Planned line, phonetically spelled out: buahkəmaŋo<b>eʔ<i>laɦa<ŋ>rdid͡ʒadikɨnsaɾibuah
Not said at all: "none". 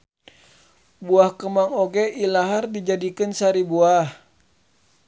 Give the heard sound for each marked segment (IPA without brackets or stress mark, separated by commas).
ɡ, i, none